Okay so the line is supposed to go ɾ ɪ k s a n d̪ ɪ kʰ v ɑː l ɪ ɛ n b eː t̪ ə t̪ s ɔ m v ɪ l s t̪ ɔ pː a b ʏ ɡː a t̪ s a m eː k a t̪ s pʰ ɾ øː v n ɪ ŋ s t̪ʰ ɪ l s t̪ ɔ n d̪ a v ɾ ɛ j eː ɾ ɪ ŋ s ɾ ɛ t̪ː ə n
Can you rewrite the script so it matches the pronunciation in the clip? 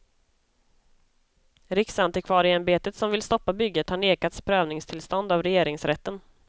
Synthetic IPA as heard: ɾ ɪ k s a n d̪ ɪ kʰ v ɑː ɾ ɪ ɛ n b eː t̪ ə t̪ s ɔ m v ɪ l s t̪ ɔ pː a b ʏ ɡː ə t̪ h a ɳ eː k a t̪ s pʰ ɾ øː v n ɪ ŋ s t̪ʰ ɪ l s t̪ ɔ n d̪ a v ɾ ɛ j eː ɾ ɪ ŋ s ɾ ɛ t̪ː ə n